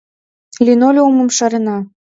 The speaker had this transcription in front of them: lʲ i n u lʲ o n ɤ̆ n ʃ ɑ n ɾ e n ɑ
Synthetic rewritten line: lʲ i n o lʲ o m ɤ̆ m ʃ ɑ ɾ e n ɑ